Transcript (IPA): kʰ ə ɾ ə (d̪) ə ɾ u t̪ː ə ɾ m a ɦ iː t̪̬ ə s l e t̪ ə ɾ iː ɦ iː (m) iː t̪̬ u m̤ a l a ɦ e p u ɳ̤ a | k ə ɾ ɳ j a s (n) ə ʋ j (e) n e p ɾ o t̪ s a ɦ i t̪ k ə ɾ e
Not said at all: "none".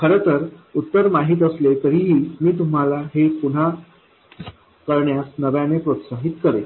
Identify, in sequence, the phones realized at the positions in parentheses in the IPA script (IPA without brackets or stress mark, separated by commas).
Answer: t̪, m, n, a